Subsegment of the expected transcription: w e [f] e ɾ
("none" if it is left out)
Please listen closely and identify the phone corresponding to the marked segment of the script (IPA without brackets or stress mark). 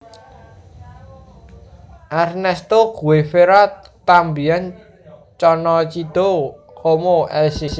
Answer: f